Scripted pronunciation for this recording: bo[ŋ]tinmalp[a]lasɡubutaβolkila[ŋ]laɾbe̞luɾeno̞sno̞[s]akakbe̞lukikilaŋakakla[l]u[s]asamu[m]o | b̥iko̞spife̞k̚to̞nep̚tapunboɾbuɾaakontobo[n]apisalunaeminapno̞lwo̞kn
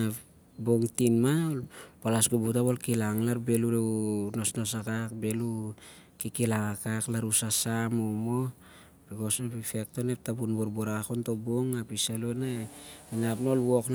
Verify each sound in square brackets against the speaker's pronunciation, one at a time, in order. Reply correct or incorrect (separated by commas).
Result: correct, correct, correct, correct, incorrect, correct, correct, incorrect